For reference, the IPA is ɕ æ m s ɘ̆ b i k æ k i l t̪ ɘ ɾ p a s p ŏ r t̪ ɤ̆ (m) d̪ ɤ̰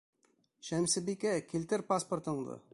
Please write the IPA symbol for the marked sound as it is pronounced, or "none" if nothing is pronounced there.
ɴ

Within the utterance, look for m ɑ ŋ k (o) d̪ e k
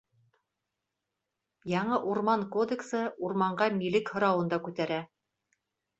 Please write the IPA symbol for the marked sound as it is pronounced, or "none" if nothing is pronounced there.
o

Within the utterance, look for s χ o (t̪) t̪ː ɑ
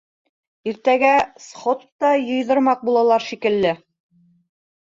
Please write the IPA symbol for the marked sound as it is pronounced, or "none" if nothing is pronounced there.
t̪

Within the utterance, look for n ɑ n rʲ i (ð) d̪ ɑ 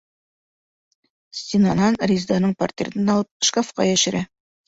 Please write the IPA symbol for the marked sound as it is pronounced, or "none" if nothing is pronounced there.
z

